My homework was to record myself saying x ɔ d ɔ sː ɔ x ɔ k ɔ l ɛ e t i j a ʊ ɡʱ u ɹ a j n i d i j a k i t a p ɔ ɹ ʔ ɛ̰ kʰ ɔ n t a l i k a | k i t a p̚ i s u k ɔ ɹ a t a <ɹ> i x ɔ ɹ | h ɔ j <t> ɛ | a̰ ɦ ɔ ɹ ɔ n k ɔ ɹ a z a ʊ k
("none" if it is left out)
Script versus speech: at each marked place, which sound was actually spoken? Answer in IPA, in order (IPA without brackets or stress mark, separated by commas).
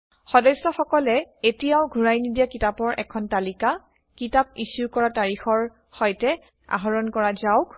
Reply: ɹ, t